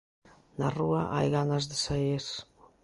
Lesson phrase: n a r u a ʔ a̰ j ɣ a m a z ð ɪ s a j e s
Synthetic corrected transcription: n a r u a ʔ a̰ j ɣ a n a z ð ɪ s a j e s